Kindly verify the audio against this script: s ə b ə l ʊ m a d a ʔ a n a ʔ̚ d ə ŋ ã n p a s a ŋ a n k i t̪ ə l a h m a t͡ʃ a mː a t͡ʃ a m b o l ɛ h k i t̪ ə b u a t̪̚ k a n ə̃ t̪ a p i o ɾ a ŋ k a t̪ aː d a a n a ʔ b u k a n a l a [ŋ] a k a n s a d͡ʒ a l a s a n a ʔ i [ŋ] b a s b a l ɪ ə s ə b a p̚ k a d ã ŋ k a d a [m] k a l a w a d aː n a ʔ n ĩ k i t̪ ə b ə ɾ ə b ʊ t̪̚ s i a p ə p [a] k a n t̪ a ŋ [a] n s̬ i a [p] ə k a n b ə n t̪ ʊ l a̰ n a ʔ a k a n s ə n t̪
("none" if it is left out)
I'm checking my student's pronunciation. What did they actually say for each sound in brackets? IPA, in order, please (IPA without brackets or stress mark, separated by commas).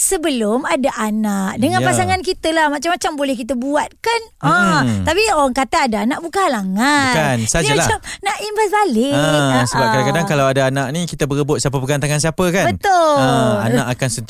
ŋ, m, ŋ, ə, a, p